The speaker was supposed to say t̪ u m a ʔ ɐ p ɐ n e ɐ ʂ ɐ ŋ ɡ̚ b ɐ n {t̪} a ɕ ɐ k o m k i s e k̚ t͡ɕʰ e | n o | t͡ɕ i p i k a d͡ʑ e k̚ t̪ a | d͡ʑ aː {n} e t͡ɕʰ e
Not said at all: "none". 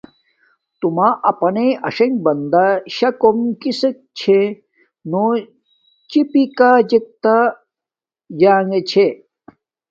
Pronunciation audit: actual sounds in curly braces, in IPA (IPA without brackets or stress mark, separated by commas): d̪, ŋ